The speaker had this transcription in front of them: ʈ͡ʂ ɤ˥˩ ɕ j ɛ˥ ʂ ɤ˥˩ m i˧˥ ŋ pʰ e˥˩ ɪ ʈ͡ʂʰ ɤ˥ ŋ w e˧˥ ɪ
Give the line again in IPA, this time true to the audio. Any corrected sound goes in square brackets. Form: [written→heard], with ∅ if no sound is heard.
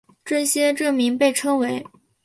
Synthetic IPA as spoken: ʈ͡ʂ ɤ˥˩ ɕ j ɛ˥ [ʂ→ʈ͡ʂ] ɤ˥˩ m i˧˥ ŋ [pʰ→p] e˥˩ ɪ ʈ͡ʂʰ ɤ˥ ŋ w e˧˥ ɪ